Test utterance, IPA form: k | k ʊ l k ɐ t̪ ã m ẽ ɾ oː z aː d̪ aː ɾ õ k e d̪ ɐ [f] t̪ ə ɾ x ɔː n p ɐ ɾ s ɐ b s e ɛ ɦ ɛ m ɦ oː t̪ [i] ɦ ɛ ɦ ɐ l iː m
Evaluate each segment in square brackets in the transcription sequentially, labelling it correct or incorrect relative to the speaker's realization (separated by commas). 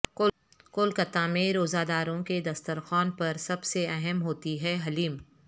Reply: incorrect, correct